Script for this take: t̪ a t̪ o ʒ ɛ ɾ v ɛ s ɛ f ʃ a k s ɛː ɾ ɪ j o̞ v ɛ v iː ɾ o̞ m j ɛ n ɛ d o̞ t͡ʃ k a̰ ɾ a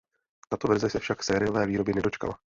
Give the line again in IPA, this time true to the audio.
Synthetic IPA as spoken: t̪ a t̪ o v ɛ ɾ z ɛ s ɛ f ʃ a k s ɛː ɾ ɪ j o̞ v ɛː v iː ɾ o̞ b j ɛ n ɛ d o̞ t͡ʃ k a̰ l a